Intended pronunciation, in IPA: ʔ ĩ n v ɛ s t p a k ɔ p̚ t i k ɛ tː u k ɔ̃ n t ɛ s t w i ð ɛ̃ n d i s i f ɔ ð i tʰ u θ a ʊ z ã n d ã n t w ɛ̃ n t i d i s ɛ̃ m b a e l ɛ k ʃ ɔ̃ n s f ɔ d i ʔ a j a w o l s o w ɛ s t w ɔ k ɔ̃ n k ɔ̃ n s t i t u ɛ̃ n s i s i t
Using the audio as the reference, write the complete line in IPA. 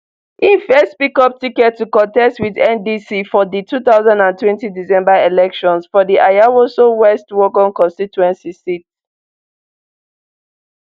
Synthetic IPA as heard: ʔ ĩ n f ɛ s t p i k ɔ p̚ t i k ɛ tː u k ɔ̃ n t ɛ s t w i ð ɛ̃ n d i s i f ɔ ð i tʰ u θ a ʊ z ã n d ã n t w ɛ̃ n t i d i s ɛ̃ m b a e l ɛ k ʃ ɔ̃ n s f ɔ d i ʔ a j a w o s o w ɛ s t w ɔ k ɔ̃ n k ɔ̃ n s t i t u ɛ̃ n s i s i t